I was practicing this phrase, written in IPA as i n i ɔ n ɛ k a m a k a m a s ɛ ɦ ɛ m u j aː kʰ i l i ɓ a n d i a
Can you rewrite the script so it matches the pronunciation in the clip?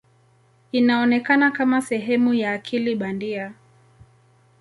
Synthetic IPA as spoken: i n a ɔ n ɛ k a n a k a m a s ɛ ɦ ɛ m u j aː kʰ i l i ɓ a n d i a